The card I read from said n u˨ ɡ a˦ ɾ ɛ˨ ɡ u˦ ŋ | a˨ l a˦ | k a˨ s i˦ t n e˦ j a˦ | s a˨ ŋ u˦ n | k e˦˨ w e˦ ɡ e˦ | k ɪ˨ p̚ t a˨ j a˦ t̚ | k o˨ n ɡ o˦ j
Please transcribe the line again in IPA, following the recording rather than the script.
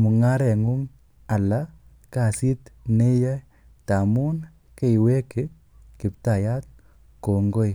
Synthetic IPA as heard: m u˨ ŋ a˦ ɾ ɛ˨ ŋ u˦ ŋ | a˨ l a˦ | k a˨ s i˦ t n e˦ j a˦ | t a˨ m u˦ n | k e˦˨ w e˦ k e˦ | k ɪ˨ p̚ t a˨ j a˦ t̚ | k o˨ ŋ ɡ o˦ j